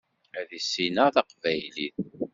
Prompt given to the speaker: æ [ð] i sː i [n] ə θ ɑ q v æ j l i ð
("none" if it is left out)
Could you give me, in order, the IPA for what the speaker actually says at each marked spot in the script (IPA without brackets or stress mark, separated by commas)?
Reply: ð, n